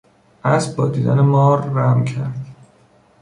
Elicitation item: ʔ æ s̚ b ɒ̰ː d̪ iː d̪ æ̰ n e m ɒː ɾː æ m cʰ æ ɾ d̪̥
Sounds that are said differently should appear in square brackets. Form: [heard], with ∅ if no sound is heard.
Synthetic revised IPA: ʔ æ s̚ b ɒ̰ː d̪ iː d̪ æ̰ n e m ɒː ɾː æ m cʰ æ ɾ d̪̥